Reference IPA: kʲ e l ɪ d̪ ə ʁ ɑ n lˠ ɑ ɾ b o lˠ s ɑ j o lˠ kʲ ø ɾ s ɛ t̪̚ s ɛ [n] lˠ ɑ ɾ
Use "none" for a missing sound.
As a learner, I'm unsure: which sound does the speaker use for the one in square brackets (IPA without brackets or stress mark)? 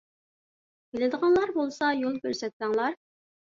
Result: ŋ